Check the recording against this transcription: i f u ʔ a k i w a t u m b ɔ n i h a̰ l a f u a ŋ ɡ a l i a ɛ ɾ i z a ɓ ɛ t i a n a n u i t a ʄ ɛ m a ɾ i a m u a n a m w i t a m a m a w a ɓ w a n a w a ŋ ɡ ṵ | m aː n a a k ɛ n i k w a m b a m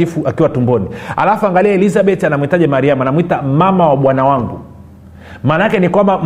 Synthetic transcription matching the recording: i f u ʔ a k i w a t u m b ɔ n i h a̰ l a f u a ŋ ɡ a l i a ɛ l i z a ɓ ɛ t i a n a m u i t a ʄ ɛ m a ɾ i a m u a n a m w i t a m a m a w a ɓ w a n a w a ŋ ɡ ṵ | m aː n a a k ɛ n i k w a m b a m